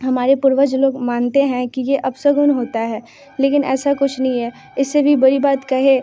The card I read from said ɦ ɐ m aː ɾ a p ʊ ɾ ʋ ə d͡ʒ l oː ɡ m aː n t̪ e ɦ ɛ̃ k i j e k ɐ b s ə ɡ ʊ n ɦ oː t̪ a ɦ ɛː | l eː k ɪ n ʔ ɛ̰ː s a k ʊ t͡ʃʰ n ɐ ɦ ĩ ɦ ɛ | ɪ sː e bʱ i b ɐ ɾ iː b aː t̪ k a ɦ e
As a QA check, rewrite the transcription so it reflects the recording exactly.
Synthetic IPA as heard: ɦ ɐ m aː ɾ e p ʊ ɾ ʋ ə d͡ʒ l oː ɡ m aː n t̪ e ɦ ɛ̃ k i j e ʔ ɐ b s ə ɡ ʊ n ɦ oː t̪ a ɦ ɛː | l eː k ɪ n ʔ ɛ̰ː s a k ʊ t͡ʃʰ n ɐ ɦ ĩ ɦ ɛ | ɪ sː e bʱ i b ɐ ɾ i b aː t̪ k ɐ ɦ e